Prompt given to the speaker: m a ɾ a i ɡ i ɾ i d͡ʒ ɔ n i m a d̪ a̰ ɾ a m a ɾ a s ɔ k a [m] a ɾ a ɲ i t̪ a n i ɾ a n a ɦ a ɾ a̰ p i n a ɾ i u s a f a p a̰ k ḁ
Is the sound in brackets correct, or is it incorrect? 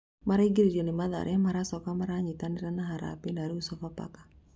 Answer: correct